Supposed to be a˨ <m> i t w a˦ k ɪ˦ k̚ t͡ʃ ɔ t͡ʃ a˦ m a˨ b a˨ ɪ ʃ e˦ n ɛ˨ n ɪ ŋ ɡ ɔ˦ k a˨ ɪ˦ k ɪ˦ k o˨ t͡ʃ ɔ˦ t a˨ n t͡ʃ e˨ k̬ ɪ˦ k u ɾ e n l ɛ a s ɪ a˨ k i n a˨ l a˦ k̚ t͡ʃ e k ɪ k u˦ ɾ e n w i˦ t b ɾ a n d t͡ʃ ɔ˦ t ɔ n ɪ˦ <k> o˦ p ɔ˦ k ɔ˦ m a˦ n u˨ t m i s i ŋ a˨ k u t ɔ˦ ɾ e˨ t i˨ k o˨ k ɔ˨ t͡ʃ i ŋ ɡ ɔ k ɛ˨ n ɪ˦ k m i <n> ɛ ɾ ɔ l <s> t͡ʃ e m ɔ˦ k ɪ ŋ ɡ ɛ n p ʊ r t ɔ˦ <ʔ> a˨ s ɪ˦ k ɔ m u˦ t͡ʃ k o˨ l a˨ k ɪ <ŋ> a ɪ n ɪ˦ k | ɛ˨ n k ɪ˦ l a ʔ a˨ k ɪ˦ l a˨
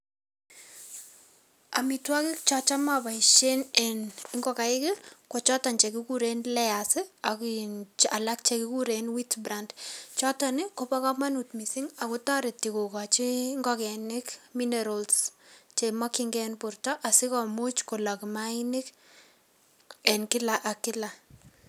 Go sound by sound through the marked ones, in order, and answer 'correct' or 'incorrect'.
correct, correct, correct, correct, correct, incorrect: m

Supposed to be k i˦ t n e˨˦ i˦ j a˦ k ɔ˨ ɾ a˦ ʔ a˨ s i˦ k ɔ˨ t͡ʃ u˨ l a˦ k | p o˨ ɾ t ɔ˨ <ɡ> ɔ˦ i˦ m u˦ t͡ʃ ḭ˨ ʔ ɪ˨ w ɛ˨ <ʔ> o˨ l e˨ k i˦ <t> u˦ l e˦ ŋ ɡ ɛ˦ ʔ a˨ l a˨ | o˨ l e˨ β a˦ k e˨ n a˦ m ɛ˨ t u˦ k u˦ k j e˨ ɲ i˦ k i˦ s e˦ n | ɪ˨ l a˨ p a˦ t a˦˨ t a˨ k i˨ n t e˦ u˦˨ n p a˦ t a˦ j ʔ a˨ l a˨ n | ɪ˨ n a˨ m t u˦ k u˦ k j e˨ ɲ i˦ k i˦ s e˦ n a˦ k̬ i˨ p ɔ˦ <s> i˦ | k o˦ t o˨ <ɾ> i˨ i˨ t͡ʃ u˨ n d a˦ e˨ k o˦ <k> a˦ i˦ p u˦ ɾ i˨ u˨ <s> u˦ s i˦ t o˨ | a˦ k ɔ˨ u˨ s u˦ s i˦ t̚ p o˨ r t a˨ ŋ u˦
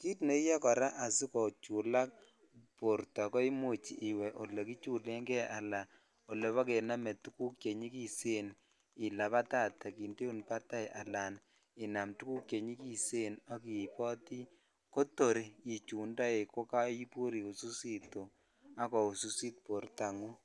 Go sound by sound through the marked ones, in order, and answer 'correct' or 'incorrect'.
incorrect: k, correct, incorrect: t͡ʃ, incorrect: t, correct, correct, correct

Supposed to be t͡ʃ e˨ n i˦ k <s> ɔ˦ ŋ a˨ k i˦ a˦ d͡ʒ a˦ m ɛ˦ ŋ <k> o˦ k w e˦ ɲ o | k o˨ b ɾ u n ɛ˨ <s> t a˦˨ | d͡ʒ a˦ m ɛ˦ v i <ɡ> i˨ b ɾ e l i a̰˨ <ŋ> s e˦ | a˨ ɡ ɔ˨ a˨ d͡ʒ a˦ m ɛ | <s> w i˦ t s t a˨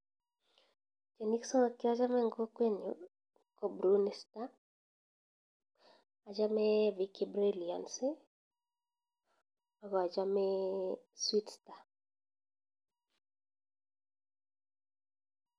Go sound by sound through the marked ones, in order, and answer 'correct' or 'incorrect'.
correct, incorrect: ɡ, correct, incorrect: k, incorrect: n, correct

